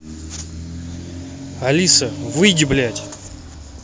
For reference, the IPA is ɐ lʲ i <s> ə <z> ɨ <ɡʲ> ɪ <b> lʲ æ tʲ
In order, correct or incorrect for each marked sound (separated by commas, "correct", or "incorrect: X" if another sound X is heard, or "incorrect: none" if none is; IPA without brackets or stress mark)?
correct, incorrect: v, correct, correct